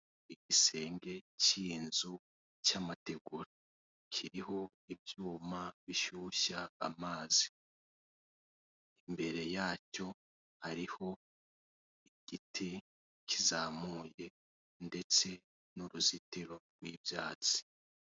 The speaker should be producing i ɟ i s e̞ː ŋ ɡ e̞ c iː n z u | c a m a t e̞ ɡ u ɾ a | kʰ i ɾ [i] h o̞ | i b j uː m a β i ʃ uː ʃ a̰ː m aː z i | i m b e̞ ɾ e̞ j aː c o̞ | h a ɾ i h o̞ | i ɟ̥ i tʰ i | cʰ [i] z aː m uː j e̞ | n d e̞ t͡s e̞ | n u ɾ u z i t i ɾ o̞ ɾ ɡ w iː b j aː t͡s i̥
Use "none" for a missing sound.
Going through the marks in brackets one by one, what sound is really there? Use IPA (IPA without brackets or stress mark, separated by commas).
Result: i, i